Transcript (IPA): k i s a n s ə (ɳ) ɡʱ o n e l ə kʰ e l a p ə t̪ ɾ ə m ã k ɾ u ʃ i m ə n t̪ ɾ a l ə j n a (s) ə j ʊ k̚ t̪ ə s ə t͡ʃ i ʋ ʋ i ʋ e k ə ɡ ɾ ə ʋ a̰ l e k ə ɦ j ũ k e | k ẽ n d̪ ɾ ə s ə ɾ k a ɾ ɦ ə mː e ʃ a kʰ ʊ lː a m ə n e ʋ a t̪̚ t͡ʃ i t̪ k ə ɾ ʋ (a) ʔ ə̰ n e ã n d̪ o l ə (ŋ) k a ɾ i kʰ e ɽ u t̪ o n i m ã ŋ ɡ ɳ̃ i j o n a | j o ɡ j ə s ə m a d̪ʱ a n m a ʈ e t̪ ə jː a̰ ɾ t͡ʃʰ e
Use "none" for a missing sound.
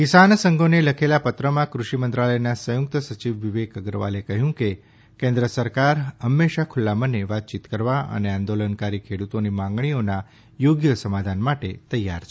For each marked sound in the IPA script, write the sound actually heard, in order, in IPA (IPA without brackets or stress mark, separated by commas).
ŋ, s, a, n